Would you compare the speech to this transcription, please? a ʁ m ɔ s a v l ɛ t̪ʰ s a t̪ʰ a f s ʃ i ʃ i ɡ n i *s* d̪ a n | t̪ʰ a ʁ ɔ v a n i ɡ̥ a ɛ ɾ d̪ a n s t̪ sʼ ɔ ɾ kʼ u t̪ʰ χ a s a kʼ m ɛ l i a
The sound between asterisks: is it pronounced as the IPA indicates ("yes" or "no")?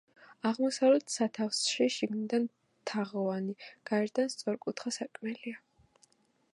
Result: no